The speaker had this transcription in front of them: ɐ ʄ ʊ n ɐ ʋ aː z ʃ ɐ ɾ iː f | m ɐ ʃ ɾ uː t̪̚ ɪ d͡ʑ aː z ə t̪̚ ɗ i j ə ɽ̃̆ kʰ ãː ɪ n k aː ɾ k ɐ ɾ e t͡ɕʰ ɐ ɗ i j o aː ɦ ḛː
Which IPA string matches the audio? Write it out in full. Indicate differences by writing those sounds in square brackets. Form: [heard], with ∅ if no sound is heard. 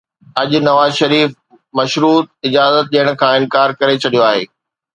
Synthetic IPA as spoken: ɐ ʄ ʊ n ɐ ʋ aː z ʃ ɐ ɾ iː f | m ɐ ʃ ɾ uː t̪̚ ɪ d͡ʑ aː z ə t̪̚ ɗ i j ə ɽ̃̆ kʰ ãː ɪ n k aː ɾ k ɐ ɾ e t͡ɕʰ ɐ ɗ i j o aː ɦ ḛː